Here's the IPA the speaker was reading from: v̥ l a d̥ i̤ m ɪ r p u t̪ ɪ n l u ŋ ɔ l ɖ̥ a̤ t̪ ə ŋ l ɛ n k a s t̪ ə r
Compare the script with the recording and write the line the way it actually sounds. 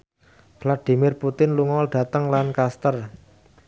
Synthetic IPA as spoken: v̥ l a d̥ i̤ m ɪ r p u t̪ ɪ n l u ŋ ɔ l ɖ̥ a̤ t̪ ə ŋ l a n k a s t̪ ə r